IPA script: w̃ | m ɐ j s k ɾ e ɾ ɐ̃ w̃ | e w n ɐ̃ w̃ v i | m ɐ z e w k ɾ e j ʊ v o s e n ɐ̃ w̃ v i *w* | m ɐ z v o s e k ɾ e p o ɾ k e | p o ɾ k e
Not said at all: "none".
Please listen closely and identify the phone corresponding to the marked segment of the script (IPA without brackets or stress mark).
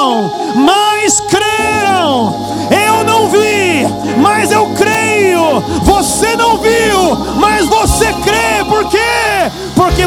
w